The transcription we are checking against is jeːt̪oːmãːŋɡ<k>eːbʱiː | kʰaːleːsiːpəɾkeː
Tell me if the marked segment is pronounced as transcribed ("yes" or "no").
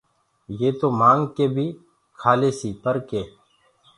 yes